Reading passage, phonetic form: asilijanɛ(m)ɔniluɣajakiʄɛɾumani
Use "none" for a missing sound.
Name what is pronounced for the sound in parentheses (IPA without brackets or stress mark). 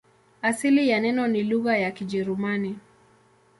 n